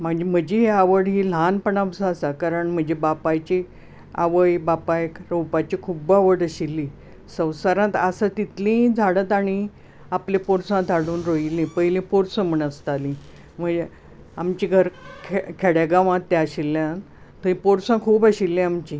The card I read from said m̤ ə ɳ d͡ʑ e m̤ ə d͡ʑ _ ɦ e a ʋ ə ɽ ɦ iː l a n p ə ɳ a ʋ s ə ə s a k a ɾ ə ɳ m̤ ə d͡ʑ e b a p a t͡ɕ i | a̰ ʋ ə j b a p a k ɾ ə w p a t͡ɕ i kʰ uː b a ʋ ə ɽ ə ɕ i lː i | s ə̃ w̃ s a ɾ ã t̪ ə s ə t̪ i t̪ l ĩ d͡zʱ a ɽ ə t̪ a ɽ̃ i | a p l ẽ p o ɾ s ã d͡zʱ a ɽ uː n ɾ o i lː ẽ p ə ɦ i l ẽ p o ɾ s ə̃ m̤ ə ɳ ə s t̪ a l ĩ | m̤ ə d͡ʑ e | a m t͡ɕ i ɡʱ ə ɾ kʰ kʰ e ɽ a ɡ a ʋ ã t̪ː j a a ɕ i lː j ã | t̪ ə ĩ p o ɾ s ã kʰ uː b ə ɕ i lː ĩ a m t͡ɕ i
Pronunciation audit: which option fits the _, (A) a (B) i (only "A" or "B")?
B